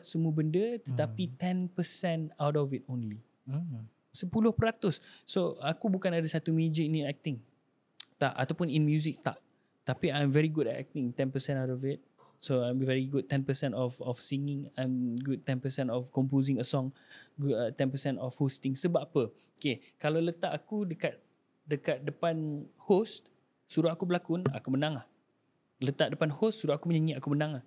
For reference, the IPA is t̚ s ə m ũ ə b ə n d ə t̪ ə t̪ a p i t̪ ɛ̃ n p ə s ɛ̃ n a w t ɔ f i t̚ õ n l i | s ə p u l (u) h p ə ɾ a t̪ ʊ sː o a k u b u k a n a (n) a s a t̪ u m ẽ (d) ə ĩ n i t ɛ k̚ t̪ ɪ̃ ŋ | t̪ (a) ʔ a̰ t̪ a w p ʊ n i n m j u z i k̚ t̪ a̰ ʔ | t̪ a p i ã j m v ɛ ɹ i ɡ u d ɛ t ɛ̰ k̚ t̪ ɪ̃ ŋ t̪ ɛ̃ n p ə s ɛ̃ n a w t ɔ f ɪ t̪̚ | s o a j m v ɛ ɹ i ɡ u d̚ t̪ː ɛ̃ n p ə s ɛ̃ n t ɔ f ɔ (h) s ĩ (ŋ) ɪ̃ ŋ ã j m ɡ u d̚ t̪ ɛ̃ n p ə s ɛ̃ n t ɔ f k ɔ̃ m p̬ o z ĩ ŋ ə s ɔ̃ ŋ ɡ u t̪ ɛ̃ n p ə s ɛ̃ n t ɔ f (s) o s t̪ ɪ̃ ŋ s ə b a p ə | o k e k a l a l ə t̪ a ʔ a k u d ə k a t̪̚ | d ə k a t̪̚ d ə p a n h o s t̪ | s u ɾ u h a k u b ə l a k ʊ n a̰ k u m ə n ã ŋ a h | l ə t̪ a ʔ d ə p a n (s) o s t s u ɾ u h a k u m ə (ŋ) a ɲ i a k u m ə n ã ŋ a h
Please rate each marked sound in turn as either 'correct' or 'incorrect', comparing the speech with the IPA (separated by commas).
incorrect, incorrect, incorrect, correct, incorrect, correct, incorrect, incorrect, incorrect